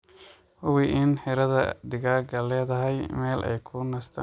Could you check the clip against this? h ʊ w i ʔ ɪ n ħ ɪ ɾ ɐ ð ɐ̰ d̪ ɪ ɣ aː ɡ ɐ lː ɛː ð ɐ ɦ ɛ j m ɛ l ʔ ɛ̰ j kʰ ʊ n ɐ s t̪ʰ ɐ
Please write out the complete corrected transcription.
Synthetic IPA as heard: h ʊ w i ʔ ɪ n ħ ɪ ɾ ɐ ð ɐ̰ d̪ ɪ ɣ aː ɡ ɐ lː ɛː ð ɐ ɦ ɛ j m ɛː l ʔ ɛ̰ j kʰ ʊ n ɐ s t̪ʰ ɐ